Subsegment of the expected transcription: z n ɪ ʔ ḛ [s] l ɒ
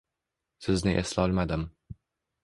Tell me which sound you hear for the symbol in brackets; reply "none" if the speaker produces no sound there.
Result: s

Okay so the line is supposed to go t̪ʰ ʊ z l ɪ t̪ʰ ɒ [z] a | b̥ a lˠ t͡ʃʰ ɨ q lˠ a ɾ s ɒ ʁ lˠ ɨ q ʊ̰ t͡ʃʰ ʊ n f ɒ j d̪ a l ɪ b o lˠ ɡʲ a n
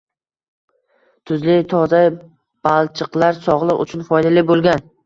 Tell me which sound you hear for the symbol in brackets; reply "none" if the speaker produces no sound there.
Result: z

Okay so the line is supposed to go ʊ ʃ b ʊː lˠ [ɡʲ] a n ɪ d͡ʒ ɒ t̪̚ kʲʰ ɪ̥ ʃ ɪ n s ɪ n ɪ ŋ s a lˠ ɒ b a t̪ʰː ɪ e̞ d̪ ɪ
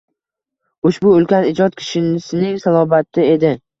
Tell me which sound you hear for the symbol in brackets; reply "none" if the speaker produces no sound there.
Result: kʲ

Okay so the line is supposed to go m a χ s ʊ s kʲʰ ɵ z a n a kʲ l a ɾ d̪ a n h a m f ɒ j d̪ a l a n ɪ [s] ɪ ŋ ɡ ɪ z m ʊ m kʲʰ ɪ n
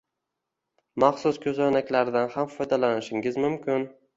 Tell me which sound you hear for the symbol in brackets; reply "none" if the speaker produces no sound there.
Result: ʃ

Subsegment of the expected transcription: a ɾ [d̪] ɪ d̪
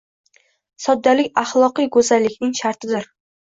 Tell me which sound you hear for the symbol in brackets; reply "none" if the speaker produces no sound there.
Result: t̪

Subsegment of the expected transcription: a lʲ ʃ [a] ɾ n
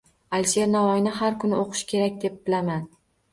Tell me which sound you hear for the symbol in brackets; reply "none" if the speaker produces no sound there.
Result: e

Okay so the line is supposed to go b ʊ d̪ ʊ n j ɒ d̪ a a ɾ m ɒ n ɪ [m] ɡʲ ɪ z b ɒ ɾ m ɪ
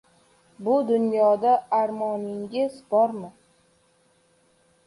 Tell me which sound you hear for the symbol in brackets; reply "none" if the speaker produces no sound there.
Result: ŋ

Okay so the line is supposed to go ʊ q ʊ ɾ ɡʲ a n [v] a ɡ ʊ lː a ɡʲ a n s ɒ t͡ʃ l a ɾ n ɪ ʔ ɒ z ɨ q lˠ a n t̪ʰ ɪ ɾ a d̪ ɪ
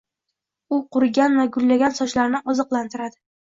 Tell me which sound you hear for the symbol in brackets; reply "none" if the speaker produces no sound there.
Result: v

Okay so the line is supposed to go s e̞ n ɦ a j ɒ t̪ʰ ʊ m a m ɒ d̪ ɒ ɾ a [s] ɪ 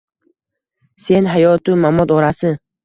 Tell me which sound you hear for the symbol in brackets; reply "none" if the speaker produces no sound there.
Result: s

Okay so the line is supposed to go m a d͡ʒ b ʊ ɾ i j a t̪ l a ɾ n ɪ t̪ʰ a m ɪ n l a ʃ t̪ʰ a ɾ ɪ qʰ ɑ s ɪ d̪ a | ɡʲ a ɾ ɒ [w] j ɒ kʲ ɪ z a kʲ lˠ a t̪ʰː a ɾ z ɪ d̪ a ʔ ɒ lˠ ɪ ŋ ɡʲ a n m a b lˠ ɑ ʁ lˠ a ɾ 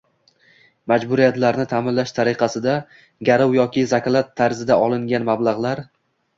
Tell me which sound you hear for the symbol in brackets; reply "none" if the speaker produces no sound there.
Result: w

